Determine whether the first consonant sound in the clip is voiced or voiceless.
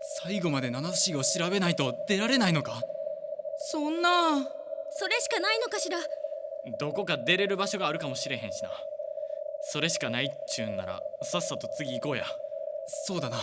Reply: voiceless